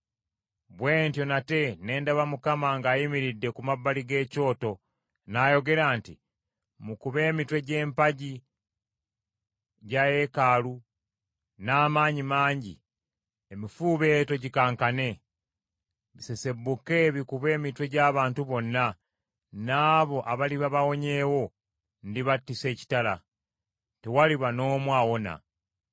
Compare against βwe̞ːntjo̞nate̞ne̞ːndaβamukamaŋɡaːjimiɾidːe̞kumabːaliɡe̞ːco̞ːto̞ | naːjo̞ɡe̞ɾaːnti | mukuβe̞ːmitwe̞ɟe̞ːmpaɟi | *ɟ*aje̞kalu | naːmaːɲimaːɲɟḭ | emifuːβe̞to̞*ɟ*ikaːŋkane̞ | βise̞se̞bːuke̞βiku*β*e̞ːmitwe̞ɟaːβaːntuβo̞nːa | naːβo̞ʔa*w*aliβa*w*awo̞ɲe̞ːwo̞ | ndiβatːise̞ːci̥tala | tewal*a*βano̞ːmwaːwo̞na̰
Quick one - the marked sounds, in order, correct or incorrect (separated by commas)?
correct, correct, correct, incorrect, incorrect, incorrect